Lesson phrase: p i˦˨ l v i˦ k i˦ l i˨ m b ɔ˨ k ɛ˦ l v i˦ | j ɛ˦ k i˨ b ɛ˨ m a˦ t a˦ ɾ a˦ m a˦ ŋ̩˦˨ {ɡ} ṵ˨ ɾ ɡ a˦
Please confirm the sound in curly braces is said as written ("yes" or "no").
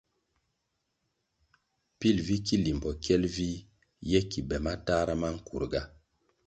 no